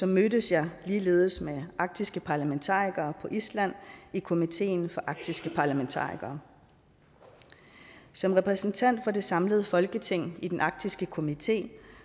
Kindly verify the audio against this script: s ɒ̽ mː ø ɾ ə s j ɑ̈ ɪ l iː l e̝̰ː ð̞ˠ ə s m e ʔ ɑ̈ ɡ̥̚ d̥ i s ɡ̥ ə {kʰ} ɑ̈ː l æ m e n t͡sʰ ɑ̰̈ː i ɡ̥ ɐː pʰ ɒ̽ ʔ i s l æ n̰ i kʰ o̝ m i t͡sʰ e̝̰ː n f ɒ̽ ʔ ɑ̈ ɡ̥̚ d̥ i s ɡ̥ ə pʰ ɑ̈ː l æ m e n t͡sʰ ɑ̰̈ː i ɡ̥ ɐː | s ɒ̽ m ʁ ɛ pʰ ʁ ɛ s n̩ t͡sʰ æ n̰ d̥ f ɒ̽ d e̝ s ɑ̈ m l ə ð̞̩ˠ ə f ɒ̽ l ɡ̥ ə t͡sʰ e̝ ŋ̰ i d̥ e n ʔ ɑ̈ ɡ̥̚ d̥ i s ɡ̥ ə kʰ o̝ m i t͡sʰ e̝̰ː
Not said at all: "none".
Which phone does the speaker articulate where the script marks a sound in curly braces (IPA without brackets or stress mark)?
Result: pʰ